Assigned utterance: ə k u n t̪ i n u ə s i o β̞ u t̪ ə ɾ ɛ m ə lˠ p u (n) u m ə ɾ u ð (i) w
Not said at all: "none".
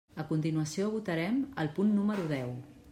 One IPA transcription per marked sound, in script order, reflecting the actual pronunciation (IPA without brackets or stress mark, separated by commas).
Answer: nː, ɛ